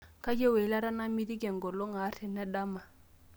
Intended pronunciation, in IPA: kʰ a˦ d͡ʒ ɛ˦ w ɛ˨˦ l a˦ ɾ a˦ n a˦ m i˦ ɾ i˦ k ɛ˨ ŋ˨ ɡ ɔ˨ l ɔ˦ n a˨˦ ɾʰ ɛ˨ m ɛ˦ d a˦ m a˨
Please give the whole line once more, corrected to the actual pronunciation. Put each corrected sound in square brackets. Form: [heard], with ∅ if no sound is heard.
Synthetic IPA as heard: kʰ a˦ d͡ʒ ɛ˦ w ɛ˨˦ l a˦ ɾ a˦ n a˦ m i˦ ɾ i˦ k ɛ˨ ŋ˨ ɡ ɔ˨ l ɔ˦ [ŋ] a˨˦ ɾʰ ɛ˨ [n] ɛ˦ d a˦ m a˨